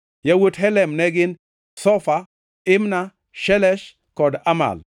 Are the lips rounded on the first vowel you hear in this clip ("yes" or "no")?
no